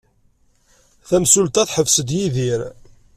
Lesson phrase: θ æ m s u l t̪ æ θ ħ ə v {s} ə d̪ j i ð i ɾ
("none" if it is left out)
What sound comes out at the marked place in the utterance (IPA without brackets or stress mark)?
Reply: s